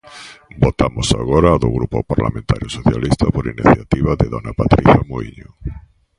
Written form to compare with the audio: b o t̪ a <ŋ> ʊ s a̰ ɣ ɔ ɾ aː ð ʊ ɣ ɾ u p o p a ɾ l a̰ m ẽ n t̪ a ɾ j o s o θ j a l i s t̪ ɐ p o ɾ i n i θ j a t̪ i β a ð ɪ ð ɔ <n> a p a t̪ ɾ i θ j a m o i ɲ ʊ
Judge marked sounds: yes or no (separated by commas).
no, yes